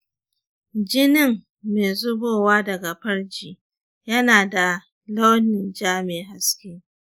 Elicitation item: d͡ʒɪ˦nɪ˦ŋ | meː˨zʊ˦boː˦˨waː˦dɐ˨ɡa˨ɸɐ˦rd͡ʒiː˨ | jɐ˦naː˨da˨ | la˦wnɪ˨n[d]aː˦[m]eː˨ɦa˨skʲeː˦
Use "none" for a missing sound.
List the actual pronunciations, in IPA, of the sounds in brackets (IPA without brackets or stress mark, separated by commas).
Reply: d͡ʒ, m